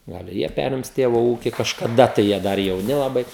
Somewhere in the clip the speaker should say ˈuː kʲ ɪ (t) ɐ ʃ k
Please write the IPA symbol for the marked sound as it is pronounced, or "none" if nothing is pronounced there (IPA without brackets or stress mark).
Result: k